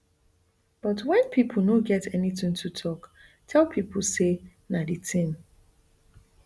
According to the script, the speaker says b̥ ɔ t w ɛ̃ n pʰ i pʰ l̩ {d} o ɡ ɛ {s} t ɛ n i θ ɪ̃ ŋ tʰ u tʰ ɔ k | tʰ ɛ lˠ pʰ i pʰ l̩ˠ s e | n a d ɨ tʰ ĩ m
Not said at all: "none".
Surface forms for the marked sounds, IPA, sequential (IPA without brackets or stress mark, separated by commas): n, none